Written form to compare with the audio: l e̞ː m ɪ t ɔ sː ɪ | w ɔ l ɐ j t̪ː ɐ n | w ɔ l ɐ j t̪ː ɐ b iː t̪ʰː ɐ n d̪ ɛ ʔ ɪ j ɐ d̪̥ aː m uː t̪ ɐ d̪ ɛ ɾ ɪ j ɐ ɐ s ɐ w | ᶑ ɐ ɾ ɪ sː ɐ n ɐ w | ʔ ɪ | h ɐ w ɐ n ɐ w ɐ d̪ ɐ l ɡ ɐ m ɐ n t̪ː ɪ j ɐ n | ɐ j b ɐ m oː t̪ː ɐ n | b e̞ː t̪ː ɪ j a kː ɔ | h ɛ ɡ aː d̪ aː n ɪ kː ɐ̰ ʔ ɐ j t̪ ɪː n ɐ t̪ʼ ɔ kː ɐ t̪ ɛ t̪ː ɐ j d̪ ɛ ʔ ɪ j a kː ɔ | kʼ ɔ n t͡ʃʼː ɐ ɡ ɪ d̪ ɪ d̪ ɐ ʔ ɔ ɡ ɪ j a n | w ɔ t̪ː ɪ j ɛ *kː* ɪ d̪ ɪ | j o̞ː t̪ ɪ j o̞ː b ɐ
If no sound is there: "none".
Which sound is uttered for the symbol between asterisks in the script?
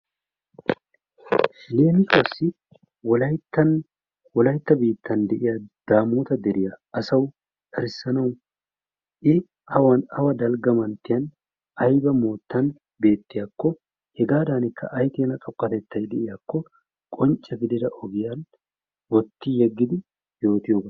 ɡː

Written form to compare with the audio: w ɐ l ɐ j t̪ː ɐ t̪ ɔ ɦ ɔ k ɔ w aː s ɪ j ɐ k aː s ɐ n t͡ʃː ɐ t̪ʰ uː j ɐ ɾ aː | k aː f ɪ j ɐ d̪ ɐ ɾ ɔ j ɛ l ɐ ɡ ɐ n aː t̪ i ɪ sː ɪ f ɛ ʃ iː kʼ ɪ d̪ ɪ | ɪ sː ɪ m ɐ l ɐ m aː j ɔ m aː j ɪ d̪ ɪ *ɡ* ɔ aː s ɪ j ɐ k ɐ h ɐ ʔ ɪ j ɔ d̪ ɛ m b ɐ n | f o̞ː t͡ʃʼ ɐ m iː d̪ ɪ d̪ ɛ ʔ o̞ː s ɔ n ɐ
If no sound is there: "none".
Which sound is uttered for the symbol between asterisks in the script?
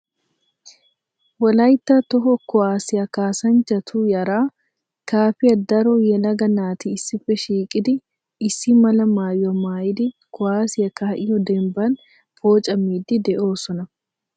k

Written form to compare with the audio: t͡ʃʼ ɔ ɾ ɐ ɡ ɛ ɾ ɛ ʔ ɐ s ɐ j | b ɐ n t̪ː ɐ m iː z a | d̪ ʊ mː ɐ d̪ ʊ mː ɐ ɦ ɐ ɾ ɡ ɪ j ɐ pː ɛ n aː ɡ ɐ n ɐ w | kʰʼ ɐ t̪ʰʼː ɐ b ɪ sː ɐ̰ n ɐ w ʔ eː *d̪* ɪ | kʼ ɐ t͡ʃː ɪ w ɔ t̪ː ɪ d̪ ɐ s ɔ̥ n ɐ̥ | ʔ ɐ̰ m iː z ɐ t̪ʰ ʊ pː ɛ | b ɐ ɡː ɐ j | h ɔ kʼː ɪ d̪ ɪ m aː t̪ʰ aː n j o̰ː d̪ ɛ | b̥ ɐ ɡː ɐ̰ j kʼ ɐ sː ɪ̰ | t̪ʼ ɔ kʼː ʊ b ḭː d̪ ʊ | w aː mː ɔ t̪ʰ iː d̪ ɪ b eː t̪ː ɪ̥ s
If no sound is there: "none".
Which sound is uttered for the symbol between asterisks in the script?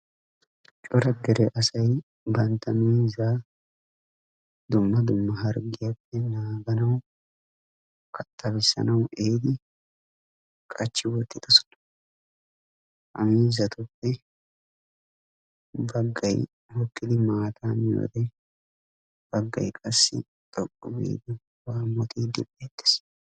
d̪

